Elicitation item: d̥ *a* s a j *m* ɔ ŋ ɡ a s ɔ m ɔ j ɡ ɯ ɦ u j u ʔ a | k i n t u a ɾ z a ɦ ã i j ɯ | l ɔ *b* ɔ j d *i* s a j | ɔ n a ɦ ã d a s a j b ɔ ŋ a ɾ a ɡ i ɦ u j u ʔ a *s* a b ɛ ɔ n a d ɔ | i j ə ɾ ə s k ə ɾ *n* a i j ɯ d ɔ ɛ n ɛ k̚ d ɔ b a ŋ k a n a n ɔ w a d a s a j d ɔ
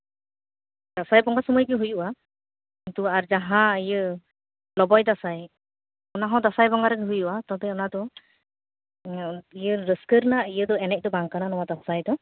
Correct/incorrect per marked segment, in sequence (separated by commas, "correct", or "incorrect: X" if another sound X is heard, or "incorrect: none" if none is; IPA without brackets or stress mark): correct, incorrect: b, correct, incorrect: a, incorrect: t, correct